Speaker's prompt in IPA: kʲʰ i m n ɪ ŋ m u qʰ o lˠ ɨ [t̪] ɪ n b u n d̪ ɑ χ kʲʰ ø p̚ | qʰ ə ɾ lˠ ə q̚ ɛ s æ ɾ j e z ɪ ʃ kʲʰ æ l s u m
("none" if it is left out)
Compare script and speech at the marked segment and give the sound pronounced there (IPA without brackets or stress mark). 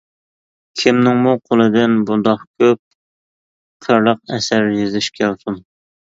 d̪